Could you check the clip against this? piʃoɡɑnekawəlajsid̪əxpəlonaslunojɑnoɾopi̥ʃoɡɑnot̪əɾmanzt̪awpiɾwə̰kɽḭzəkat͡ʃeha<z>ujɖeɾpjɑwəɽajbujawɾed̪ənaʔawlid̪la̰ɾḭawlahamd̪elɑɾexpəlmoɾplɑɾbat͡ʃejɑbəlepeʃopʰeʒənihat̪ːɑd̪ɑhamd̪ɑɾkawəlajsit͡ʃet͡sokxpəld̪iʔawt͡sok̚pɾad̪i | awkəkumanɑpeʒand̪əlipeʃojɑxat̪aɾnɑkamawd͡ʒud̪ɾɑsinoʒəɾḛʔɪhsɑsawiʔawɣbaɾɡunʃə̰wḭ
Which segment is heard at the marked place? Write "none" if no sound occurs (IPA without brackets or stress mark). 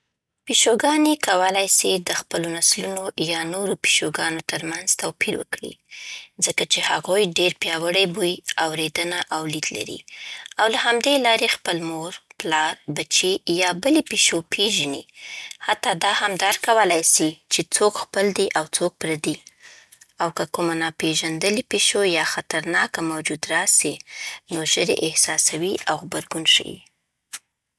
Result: ɣ